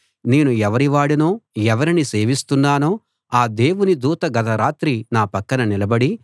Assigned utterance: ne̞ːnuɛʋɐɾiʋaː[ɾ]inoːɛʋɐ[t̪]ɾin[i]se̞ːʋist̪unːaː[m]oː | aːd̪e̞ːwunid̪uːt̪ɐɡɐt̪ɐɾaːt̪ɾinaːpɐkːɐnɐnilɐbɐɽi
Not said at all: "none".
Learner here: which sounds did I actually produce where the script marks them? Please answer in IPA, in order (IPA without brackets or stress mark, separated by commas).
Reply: ɽ, none, i, n